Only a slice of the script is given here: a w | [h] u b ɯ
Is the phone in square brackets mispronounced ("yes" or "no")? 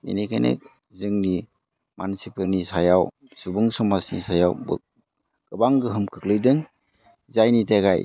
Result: yes